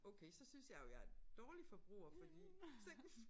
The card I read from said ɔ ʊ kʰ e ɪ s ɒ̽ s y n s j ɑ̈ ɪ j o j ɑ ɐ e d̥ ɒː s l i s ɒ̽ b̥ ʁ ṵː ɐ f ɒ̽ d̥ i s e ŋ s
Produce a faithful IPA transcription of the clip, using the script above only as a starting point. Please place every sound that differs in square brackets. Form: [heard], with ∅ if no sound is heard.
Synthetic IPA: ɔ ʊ kʰ e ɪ s ɒ̽ s y n s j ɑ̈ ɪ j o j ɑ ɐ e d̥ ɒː [∅] l i [f] ɒ̽ b̥ ʁ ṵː ɐ f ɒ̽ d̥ i s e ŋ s